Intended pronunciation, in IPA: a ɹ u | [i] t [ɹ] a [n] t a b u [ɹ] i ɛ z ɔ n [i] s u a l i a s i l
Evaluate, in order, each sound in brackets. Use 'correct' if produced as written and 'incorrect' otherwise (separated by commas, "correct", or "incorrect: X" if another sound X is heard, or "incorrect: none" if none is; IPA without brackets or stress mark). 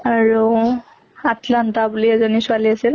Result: incorrect: a, incorrect: l, correct, incorrect: l, correct